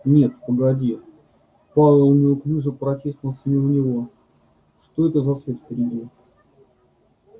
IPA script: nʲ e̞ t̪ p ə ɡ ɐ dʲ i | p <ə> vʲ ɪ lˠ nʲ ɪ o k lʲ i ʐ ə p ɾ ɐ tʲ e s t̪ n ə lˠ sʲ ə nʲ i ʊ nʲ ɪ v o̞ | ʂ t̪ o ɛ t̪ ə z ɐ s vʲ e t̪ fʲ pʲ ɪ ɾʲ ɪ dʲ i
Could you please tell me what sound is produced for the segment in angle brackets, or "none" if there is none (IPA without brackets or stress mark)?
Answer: a